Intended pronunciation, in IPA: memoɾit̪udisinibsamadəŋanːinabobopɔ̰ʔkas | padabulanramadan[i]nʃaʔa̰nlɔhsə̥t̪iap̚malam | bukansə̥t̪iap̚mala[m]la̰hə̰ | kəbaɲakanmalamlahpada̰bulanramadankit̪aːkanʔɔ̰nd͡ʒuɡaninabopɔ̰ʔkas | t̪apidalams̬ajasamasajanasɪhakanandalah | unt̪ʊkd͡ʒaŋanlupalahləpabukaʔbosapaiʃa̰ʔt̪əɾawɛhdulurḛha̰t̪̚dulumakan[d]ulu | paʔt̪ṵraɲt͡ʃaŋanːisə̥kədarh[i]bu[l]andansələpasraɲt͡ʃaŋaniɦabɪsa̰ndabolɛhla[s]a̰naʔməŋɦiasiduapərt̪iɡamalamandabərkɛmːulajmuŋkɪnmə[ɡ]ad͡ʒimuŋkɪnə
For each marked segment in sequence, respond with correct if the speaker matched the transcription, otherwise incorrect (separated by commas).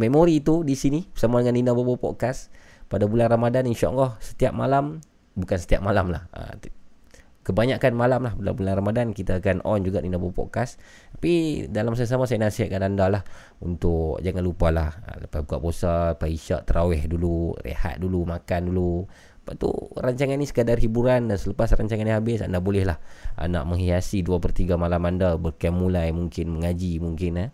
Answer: correct, correct, correct, correct, incorrect, incorrect, incorrect